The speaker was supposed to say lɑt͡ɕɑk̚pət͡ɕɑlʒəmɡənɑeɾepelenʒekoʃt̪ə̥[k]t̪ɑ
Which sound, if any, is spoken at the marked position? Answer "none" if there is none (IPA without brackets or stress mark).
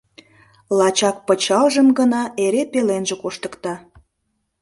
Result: k